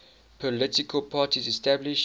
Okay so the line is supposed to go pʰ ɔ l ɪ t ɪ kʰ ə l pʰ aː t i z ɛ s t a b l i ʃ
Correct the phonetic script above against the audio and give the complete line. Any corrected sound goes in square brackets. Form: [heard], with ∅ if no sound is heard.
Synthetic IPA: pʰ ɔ l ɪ t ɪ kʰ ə l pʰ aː t i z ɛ s t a b l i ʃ